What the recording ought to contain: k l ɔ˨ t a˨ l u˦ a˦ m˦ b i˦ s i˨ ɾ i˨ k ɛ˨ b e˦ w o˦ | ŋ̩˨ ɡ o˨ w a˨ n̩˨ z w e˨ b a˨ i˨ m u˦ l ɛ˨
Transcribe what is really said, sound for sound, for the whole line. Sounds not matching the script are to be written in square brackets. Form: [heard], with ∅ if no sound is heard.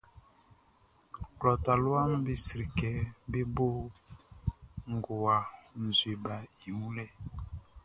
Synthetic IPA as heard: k l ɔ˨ t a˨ l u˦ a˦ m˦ b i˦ s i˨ ɾ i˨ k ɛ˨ b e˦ [b] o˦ | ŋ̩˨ ɡ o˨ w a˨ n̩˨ z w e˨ b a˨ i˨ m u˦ l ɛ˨